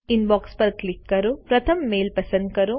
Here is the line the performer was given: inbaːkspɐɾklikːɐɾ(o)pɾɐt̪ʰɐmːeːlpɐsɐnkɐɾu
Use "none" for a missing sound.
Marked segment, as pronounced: u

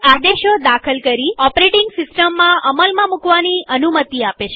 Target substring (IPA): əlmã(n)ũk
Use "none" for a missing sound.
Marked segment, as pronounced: m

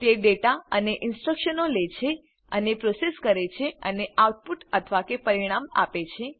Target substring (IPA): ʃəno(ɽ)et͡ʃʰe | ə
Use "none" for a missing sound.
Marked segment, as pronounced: l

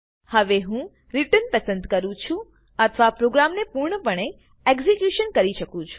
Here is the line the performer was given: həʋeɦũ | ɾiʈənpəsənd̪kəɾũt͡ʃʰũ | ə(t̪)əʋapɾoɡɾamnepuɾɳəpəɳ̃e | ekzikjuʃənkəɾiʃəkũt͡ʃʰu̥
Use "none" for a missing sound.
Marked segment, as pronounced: t̪ʰ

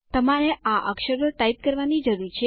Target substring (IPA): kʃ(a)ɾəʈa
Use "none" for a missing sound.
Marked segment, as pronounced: ə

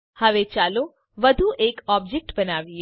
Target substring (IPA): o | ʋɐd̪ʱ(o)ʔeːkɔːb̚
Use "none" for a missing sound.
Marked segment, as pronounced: u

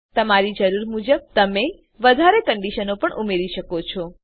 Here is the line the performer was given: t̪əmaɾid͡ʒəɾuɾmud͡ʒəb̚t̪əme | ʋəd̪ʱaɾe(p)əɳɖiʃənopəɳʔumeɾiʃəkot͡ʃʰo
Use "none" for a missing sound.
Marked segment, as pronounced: k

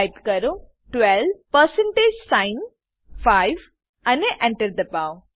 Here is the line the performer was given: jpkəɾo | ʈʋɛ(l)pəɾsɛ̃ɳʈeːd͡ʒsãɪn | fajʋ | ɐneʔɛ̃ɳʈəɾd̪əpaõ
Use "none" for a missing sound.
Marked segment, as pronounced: l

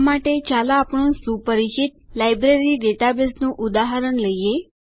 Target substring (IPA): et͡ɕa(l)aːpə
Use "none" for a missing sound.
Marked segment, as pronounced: l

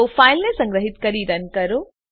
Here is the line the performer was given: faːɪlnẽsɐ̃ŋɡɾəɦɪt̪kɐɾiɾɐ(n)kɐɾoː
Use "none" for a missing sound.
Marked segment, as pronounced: n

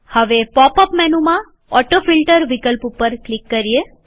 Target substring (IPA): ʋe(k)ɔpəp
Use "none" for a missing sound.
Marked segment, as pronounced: p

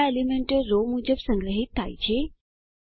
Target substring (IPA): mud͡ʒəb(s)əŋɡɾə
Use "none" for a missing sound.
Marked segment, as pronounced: s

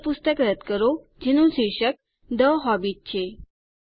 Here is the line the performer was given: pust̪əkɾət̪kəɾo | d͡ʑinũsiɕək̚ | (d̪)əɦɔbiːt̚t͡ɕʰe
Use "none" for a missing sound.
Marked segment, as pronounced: d̪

